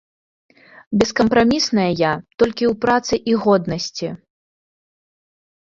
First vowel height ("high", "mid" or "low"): mid